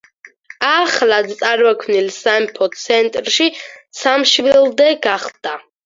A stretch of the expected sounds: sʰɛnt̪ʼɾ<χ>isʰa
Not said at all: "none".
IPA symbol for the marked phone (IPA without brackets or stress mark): ʃ